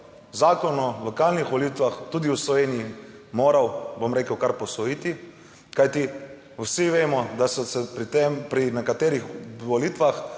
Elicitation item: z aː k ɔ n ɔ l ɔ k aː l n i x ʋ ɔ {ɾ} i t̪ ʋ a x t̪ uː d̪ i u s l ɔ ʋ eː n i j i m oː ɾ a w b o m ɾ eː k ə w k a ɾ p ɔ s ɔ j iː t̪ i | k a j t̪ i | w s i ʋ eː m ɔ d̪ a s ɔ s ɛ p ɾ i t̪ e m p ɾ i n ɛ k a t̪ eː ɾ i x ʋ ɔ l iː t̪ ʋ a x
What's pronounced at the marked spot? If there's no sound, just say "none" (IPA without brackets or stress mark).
l